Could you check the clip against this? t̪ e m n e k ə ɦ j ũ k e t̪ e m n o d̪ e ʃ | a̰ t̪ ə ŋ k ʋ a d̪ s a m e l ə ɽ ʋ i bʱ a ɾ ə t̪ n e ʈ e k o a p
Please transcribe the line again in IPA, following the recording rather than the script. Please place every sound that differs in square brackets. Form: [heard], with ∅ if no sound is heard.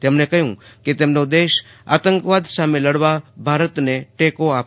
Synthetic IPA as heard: t̪ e m n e k ə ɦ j ũ k e t̪ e m n o d̪ e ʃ | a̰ t̪ ə ŋ k ʋ a d̪ s a m e l ə ɽ ʋ [a] bʱ a ɾ ə t̪ n e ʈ e k o a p